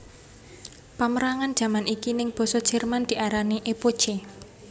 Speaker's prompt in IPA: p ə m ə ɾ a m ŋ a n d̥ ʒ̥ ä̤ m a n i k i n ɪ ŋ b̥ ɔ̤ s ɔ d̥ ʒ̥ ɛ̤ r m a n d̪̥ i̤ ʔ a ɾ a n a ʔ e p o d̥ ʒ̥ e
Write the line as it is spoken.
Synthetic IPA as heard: p a m ə ɾ a ŋ a n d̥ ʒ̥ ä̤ m a n i k i n ɪ ŋ b̥ ɔ̤ s ɔ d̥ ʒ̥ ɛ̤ r m a n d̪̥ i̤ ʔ a ɾ a n i ʔ e p o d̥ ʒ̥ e